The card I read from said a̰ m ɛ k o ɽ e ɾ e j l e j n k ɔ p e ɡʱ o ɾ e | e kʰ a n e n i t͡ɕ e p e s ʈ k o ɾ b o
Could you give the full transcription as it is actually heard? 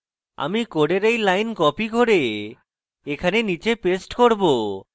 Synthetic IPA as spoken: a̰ m i k o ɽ e ɾ e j l a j n k ɔ p i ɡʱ o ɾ e | e kʰ a n e n i t͡ɕ e p e s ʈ k o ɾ b o